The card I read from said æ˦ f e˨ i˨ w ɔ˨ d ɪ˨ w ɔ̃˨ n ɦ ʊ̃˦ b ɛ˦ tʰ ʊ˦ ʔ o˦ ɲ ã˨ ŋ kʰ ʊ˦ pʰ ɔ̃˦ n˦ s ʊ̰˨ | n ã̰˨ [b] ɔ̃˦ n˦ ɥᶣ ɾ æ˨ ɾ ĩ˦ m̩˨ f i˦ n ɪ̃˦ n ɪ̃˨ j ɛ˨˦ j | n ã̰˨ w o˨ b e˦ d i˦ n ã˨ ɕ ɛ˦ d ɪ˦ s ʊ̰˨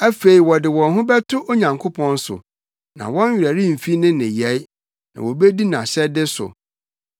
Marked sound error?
yes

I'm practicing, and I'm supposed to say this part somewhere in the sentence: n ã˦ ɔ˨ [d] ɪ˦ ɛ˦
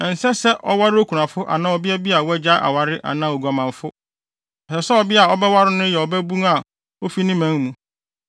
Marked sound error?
yes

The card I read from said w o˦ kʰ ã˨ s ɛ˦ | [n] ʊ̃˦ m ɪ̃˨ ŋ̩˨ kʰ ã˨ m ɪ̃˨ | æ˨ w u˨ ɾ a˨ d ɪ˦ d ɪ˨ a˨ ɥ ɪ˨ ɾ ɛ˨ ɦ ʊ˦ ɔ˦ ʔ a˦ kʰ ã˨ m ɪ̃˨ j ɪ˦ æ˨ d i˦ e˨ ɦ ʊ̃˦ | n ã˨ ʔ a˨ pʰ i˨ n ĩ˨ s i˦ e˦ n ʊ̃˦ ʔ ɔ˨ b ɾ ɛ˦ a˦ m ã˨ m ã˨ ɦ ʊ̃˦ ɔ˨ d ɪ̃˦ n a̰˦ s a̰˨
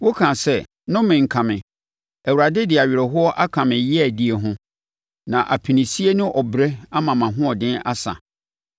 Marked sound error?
no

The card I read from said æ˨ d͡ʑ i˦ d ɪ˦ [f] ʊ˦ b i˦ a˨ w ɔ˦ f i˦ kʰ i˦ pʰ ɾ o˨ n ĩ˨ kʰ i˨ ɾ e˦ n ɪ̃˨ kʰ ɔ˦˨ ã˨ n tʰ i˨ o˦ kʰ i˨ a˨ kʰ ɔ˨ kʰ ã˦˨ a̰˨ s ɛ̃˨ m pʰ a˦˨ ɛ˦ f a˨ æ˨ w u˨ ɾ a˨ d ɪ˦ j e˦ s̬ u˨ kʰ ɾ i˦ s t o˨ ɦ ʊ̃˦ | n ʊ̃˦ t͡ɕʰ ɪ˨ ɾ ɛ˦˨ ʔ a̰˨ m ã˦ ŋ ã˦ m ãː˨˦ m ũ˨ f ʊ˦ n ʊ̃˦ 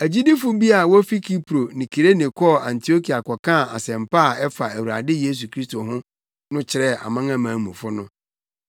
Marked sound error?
no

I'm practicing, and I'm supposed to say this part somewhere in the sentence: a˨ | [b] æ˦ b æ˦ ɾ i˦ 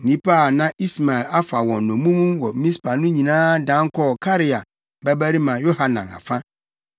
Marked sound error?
no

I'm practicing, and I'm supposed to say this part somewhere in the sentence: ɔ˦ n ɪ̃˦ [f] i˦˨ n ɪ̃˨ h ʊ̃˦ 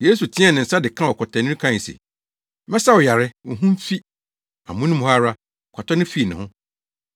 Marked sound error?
no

